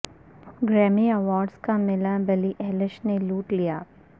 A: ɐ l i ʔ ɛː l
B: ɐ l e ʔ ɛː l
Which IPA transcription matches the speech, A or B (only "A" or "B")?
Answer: A